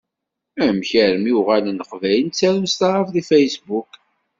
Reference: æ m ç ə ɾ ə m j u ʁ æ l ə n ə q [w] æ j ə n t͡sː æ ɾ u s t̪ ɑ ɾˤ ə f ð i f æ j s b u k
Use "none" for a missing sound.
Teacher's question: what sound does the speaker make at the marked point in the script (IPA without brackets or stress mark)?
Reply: v